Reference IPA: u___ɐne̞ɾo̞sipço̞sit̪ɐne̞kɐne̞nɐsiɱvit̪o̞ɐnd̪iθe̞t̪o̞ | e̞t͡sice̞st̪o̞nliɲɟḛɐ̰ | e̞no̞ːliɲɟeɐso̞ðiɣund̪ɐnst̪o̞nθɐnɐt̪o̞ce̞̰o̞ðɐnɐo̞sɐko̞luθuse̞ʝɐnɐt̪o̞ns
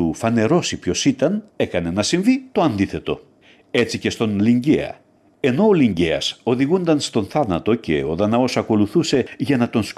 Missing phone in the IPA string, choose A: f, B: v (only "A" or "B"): A